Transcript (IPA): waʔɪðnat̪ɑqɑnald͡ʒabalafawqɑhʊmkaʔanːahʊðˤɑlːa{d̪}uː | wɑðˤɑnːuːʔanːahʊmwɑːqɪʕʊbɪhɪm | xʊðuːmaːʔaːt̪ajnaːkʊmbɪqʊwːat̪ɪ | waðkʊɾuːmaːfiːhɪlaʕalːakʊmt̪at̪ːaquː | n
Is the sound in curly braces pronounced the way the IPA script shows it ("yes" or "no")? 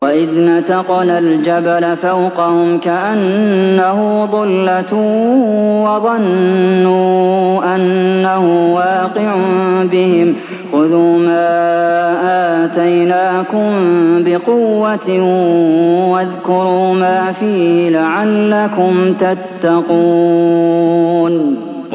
no